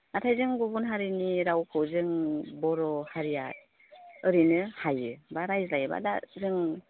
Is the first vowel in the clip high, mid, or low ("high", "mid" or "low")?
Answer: low